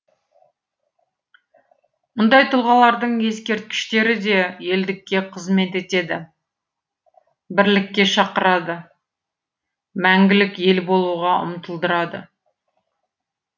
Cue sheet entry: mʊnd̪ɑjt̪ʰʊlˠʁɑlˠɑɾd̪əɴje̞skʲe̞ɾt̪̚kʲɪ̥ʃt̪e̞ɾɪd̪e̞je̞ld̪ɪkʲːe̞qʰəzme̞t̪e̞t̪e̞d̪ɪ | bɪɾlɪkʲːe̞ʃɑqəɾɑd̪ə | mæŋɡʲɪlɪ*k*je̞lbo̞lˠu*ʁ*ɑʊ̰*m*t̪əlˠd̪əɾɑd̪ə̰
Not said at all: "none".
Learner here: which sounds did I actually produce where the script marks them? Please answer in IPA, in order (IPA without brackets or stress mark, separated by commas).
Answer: k, ʁ, m